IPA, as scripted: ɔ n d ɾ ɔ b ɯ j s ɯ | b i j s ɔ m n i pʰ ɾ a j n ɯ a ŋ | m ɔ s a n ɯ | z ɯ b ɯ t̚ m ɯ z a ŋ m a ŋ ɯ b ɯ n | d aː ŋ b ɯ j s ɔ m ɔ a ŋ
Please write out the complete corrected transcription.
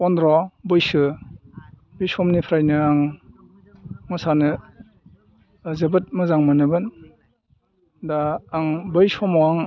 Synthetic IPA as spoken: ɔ n d ɾ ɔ b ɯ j s ɯ | b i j s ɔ m n i pʰ ɾ a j n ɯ a ŋ | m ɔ s a n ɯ | z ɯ b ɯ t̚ m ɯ z a ŋ m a n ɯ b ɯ n | d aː ŋ b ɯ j s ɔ m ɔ a ŋ